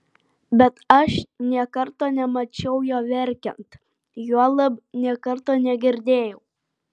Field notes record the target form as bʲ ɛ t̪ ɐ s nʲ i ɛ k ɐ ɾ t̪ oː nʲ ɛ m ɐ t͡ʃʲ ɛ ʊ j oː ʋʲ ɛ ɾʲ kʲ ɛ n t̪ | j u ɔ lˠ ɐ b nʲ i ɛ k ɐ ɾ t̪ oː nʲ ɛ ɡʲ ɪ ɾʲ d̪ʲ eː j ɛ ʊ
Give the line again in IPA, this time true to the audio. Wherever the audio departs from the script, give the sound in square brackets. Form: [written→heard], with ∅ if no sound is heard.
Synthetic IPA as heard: bʲ ɛ t̪ ɐ [s→ʃ] nʲ i ɛ k ɐ ɾ t̪ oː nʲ ɛ m ɐ t͡ʃʲ ɛ ʊ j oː ʋʲ ɛ ɾʲ kʲ ɛ n t̪ | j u ɔ lˠ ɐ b nʲ i ɛ k ɐ ɾ t̪ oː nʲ ɛ ɡʲ ɪ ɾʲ d̪ʲ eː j ɛ ʊ